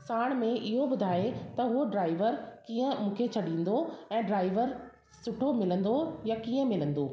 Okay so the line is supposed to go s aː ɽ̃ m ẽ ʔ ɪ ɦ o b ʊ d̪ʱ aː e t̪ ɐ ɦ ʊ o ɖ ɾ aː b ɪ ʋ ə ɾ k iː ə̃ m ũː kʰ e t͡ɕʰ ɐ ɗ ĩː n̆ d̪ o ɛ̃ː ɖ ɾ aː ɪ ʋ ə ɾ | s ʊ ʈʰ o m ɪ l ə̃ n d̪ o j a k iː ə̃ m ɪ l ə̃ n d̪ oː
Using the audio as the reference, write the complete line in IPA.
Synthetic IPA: s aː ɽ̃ m ẽ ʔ ɪ ɦ o b ʊ d̪ʱ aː e t̪ ɐ ɦ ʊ o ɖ ɾ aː ɪ ʋ ə ɾ k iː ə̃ m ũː kʰ e t͡ɕʰ ɐ ɗ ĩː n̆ d̪ o ɛ̃ː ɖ ɾ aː ɪ ʋ ə ɾ | s ʊ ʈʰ o m ɪ l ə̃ n d̪ o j a k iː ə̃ m ɪ l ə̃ n d̪ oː

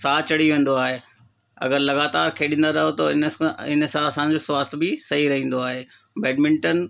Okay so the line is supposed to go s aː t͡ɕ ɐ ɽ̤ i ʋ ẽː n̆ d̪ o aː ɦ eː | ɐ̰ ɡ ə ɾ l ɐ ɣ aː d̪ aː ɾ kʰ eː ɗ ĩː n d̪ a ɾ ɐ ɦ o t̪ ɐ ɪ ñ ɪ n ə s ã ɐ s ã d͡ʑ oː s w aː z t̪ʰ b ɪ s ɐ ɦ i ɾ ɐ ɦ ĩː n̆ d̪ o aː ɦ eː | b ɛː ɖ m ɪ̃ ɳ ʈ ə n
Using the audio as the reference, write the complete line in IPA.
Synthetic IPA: s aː t͡ɕ ɐ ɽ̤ i ʋ ẽː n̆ d̪ o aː ɦ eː | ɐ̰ ɡ ə ɾ l ɐ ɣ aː t̪ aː ɾ kʰ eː ɗ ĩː n d̪ a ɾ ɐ ɦ o t̪ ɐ ɪ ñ ɪ n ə s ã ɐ s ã d͡ʑ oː s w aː s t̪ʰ b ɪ s ɐ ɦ i ɾ ɐ ɦ ĩː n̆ d̪ o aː ɦ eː | b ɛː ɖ m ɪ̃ ɳ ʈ ə n

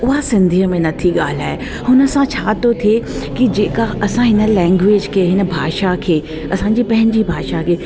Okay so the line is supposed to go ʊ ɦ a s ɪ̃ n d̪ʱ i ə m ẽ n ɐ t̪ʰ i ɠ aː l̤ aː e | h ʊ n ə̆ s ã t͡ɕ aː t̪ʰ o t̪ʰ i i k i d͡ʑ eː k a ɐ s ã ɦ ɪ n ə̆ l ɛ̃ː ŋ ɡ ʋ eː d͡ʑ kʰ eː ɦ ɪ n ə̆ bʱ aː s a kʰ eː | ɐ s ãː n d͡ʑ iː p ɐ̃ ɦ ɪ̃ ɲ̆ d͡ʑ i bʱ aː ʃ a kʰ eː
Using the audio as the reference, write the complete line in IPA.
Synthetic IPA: ʊ ɦ a s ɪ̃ n d̪ʱ i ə m ẽ n ɐ t̪ʰ i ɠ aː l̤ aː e | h ʊ n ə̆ s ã t͡ɕʰ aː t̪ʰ o t̪ʰ i e k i d͡ʑ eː k a ɐ s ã ɦ ɪ n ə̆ l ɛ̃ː ŋ ɡ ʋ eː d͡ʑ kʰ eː ɦ ɪ n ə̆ bʱ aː ʃ a kʰ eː | ɐ s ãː ɲ d͡ʑ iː p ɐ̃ ɦ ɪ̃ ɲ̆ d͡ʑ i bʱ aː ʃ a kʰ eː

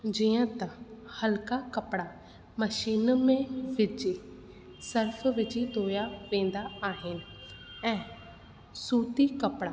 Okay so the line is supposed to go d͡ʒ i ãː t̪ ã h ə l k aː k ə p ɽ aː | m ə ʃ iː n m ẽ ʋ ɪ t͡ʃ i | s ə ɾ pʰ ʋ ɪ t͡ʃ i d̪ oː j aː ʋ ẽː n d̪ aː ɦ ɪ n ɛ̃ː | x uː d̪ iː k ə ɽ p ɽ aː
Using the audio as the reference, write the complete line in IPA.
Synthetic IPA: d͡ʒ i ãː t̪ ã h ə l k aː k ə p ɽ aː | m ə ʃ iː n m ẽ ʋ ɪ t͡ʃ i | s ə ɾ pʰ ʋ ɪ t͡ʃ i d̪ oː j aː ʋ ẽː n d̪ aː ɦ ɪ n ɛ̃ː | s uː t̪ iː k ə p ɽ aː

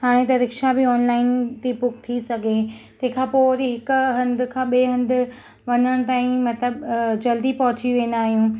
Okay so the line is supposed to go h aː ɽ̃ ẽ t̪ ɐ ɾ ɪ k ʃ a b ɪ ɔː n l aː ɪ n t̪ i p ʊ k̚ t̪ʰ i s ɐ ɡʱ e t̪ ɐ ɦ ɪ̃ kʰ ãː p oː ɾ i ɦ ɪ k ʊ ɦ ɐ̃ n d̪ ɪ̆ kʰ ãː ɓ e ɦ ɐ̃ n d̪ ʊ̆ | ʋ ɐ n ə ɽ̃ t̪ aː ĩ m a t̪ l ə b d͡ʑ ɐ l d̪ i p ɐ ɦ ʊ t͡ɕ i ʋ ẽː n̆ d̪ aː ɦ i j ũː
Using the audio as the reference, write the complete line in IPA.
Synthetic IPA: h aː ɽ̃ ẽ t̪ ɐ ɾ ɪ k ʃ a b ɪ ɔː n l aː ɪ n t̪ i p ʊ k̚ t̪ʰ i s ɐ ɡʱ e t̪ ɐ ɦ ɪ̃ kʰ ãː p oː ɾ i ɦ ɪ k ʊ ɦ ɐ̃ n d̪ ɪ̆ kʰ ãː ɓ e ɦ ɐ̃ n d̪ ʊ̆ | ʋ ɐ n ə ɽ̃ t̪ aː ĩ m ɐ t̪ l ə b d͡ʑ ɐ l d̪ i p ɐ ɦ ʊ t͡ɕ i ʋ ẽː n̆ d̪ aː ɦ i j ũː

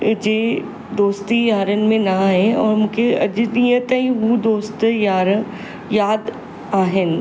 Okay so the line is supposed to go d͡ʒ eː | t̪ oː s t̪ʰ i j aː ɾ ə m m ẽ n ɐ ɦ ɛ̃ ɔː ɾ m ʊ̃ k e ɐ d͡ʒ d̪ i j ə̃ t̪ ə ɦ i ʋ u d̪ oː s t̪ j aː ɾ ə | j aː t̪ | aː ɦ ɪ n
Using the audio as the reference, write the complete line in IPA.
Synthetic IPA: d͡ʒ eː | d̪ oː s t̪ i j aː ɾ ə n m ẽ n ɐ ɦ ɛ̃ ɔː ɾ m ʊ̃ k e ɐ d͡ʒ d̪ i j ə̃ t̪ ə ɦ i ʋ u d̪ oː s t̪ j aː ɾ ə | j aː d̪ | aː ɦ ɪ n

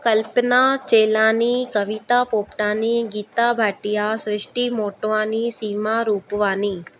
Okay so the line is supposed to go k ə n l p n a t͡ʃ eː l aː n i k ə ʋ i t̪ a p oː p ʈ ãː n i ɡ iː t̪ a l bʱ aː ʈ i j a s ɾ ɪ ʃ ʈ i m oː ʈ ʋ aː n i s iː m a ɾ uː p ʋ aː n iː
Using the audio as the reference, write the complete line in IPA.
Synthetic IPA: k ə l p n a t͡ʃ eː l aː n i k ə ʋ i t̪ a p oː p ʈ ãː n i ɡ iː t̪ a bʱ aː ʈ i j a s ɾ ɪ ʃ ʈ i m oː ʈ ʋ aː n i s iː m a ɾ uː p ʋ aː n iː

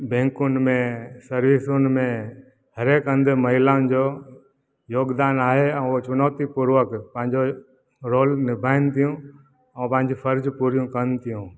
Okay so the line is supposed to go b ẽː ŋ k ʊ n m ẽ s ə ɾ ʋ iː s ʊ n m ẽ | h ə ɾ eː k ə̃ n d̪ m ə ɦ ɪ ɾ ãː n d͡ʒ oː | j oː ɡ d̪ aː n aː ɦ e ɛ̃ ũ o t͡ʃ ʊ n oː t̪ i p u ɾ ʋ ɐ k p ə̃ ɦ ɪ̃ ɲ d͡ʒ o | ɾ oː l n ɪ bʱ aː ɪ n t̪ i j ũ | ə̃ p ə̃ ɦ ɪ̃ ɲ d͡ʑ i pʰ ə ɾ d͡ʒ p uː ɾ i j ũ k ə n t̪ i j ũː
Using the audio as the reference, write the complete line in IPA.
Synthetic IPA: b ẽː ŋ k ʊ n m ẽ s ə ɾ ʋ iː s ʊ n m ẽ | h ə ɾ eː k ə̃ n d̪ m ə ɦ ɪ l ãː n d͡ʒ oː | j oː ɡ d̪ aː n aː ɦ e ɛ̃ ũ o t͡ʃ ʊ n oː t̪ i p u ɾ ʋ ə k p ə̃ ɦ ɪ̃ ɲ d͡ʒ o | ɾ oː l n ɪ bʱ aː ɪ n t̪ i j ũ | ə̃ p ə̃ ɦ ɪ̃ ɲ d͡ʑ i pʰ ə ɾ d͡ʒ p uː ɾ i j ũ k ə n t̪ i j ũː

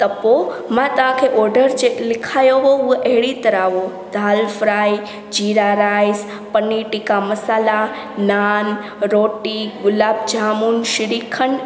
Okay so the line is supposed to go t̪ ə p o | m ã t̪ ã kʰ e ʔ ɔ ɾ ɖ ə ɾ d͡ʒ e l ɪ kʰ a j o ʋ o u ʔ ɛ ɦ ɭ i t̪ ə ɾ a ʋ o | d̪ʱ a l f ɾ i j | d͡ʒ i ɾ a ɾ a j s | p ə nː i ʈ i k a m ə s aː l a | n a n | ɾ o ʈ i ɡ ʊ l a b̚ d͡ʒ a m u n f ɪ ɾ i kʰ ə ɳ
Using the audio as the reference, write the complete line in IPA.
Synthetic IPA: t̪ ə p o | m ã t̪ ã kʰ e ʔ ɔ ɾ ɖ ə ɾ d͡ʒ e l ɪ kʰ a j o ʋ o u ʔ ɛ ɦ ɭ i t̪ ə ɾ a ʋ o | d̪ʱ a l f ɾ a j | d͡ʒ i ɾ a ɾ a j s | p ə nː i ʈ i k a m ə s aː l a | n a n | ɾ o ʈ i ɡ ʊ l a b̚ d͡ʒ a m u n ʃ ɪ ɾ i kʰ ə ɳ

